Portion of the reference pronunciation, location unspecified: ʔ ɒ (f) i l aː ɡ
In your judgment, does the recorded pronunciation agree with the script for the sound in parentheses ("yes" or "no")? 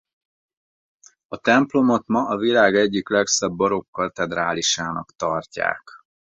no